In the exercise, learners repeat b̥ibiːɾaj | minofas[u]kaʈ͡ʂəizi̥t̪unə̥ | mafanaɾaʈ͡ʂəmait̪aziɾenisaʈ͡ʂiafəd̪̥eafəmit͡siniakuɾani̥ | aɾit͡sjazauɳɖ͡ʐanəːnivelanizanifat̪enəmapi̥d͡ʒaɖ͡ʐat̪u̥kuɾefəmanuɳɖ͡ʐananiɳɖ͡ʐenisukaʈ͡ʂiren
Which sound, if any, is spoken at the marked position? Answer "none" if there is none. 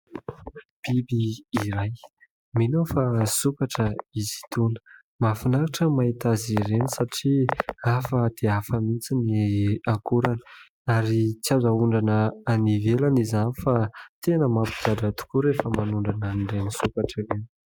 u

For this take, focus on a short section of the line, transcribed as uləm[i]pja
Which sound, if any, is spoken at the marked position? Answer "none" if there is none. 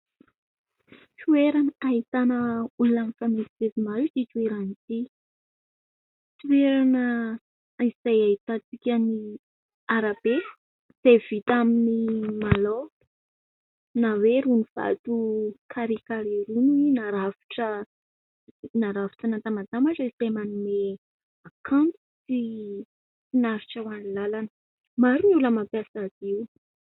a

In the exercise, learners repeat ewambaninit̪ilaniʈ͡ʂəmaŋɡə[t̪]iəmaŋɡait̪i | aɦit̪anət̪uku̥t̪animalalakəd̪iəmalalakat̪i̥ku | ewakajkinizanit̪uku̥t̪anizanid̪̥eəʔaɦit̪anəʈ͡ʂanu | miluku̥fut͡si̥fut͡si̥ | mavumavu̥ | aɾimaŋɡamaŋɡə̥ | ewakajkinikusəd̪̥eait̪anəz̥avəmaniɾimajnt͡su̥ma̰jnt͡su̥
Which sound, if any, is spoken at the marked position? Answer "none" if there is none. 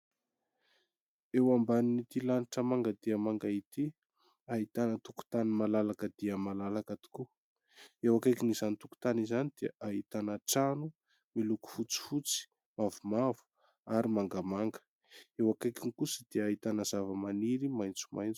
d̪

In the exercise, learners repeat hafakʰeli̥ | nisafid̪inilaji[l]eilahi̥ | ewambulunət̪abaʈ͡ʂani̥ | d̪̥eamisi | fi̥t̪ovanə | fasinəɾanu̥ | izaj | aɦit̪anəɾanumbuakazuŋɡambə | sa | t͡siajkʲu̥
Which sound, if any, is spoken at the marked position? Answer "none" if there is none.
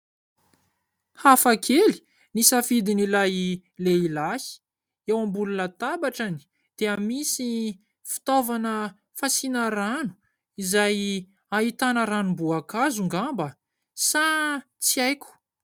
l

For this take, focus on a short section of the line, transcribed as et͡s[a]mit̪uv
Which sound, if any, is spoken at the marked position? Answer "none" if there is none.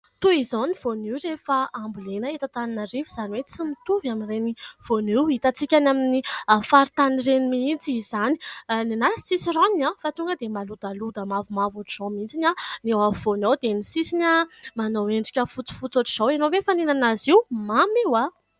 i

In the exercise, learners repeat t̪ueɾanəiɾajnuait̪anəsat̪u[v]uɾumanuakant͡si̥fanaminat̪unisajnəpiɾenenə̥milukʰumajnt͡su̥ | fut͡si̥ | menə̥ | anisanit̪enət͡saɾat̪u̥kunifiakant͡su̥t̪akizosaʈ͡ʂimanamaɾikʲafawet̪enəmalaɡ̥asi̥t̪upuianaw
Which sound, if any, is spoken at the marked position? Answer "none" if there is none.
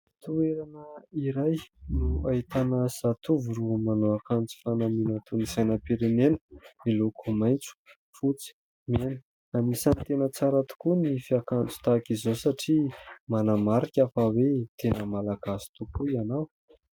v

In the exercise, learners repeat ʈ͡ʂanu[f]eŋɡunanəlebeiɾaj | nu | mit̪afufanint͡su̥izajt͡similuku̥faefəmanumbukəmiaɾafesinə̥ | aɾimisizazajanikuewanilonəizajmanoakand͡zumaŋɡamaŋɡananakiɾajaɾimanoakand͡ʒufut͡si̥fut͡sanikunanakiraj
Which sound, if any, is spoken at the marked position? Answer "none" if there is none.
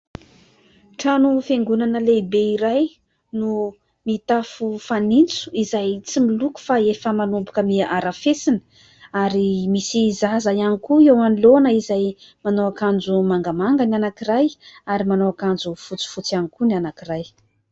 f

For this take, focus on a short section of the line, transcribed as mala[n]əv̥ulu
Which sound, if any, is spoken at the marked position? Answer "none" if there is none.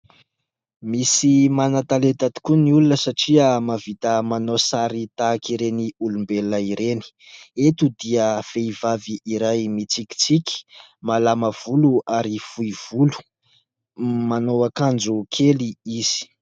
m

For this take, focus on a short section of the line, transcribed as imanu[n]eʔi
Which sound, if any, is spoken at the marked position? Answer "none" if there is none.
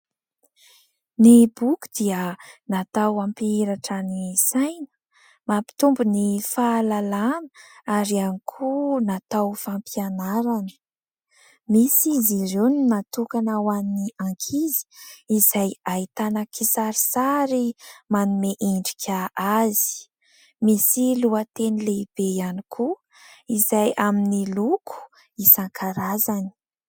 m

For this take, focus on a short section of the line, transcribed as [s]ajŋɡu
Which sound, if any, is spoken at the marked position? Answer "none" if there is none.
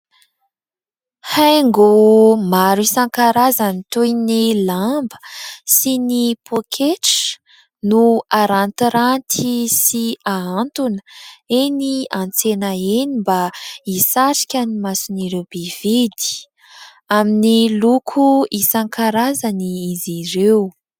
h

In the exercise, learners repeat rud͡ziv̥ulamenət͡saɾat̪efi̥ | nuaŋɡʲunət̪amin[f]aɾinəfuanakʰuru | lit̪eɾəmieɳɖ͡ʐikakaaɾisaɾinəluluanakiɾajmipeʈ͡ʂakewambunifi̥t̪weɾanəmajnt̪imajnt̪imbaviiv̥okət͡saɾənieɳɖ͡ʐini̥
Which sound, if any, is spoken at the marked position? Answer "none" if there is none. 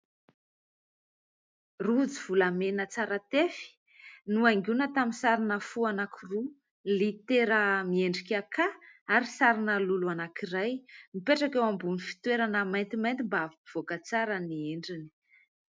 s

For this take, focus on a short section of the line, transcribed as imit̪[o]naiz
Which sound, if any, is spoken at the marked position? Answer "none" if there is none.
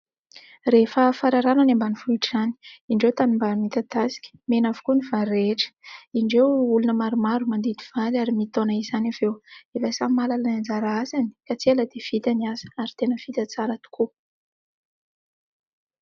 o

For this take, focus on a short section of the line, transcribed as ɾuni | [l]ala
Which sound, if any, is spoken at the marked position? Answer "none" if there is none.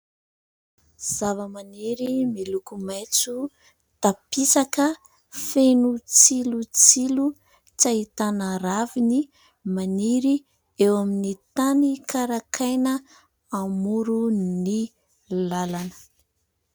l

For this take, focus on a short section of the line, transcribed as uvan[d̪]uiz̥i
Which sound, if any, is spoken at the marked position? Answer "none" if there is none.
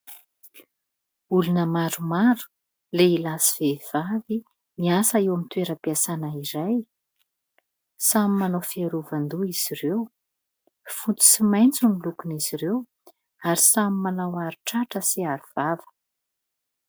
d̪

